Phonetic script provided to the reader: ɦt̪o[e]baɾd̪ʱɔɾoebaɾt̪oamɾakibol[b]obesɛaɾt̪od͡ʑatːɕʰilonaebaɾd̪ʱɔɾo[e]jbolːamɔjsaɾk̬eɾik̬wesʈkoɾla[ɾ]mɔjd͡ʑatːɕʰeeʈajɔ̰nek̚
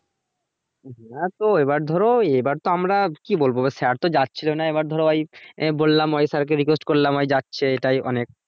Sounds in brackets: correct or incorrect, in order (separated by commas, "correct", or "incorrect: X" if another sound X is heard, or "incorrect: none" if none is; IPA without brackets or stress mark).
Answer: correct, correct, incorrect: a, incorrect: none